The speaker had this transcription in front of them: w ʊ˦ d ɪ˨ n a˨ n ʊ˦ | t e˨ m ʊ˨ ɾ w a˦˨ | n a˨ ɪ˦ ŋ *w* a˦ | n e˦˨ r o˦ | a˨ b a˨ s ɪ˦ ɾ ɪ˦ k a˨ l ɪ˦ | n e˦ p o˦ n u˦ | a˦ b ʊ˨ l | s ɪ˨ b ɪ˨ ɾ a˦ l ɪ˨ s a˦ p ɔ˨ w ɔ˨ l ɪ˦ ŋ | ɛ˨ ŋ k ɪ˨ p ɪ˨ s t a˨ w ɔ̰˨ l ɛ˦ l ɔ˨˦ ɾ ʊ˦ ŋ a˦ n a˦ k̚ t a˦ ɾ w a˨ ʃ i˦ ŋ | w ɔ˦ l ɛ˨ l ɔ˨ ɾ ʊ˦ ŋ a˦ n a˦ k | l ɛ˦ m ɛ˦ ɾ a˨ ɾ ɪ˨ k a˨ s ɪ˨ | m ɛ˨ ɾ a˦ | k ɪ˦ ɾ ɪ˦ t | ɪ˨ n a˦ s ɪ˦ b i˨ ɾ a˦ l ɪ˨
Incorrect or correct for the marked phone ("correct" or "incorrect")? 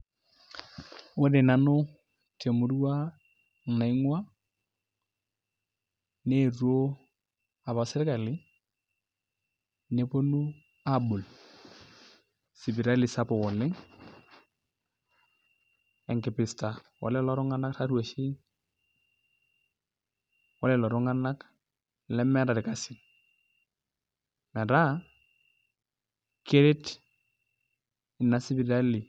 correct